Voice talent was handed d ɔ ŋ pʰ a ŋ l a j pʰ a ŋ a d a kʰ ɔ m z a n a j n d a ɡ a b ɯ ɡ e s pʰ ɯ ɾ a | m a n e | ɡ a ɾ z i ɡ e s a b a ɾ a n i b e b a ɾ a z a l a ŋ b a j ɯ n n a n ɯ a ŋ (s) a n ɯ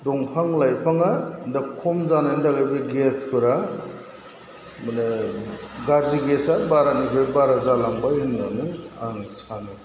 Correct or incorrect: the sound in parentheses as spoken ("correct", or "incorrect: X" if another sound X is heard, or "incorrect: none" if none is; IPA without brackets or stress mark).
correct